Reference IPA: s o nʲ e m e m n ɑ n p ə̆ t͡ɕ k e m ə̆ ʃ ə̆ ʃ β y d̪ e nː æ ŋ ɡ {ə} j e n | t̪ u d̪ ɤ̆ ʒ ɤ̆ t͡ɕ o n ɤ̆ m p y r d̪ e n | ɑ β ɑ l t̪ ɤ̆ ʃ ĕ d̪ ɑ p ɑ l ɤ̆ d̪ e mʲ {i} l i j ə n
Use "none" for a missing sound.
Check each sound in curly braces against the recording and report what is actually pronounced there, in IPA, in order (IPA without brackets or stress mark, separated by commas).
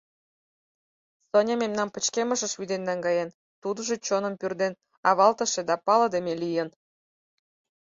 ɑ, e